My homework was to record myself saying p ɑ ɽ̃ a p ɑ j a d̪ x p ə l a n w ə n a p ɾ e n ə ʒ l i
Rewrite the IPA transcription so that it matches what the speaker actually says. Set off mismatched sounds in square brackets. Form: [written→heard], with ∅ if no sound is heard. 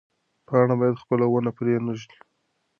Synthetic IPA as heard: p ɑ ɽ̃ a [p→b] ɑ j a d̪ x p ə l a [n→∅] w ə n a p ɾ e n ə ʒ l i